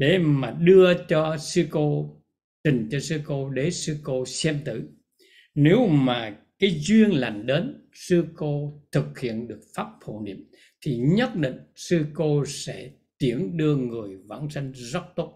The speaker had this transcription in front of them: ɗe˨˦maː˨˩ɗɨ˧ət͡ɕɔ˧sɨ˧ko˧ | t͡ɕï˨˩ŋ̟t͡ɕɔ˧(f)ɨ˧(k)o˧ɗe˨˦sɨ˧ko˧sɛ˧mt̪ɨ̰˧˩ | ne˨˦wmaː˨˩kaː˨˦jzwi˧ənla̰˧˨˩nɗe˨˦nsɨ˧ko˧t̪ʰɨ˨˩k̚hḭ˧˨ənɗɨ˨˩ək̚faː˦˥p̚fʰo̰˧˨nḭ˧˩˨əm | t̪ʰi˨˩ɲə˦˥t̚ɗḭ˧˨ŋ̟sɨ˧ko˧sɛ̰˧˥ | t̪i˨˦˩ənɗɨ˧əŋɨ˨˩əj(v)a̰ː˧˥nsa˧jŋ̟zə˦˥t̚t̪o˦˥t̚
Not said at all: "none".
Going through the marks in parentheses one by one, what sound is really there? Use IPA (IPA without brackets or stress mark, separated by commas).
s, k, v